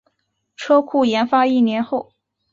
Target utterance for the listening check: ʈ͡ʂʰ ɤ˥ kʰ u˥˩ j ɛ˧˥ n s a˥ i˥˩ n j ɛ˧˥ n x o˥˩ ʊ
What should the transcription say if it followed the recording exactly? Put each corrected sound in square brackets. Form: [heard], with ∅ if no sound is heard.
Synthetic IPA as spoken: ʈ͡ʂʰ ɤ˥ kʰ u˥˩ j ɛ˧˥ n [f] a˥ i˥˩ n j ɛ˧˥ n x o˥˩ ʊ